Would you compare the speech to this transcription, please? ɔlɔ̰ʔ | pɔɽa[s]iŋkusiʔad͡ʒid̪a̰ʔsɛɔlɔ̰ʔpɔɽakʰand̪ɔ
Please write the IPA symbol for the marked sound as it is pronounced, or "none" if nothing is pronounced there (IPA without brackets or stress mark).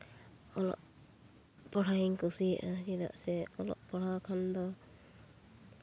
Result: none